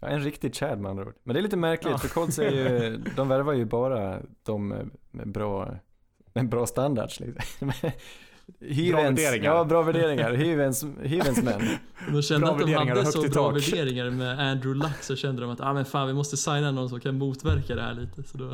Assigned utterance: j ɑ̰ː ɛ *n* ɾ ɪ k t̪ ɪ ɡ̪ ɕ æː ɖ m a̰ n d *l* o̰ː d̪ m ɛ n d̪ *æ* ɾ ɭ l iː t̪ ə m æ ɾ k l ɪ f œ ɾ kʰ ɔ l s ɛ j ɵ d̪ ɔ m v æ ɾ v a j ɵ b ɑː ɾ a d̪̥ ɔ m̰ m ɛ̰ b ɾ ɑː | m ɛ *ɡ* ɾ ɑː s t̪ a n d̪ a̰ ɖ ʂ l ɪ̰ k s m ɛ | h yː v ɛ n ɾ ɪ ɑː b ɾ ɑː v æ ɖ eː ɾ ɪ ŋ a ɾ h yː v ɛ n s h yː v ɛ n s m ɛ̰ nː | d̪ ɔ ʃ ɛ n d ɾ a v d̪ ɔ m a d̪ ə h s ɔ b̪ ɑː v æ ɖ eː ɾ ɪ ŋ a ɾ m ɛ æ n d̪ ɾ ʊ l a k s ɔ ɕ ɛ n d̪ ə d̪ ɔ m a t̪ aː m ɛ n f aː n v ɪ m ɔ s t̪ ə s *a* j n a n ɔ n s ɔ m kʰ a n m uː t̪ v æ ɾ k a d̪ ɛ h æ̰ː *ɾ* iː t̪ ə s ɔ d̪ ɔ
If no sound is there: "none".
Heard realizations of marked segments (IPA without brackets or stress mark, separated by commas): n, ɾ, ɛ, b, a, ɭ